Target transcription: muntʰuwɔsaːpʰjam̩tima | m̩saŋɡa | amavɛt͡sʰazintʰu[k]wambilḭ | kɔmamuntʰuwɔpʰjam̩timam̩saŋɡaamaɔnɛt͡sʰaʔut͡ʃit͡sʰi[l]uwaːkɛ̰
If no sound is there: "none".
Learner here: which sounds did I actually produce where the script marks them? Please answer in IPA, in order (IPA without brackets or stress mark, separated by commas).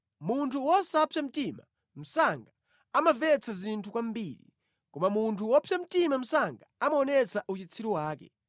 k, ɾ